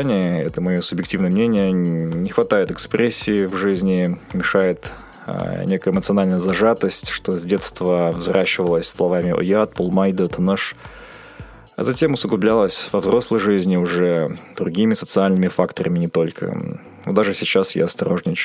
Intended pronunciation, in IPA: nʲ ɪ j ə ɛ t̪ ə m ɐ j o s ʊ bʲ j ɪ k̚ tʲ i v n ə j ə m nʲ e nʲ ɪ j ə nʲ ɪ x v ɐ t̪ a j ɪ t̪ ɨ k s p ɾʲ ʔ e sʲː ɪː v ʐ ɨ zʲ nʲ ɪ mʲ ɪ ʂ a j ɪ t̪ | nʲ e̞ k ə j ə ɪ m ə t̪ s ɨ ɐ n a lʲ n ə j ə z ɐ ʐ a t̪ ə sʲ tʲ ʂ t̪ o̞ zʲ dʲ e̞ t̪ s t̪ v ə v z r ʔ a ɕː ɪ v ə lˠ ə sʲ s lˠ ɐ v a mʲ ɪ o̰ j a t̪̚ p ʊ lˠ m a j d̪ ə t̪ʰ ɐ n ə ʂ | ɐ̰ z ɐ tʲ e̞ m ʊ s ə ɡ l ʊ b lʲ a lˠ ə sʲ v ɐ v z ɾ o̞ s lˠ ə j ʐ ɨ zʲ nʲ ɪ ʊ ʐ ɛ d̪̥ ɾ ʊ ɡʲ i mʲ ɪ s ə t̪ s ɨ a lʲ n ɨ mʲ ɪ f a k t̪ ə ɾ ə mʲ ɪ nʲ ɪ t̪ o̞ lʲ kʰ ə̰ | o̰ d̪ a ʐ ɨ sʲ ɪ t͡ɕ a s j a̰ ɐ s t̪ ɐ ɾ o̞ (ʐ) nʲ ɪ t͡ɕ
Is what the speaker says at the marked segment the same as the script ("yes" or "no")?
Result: yes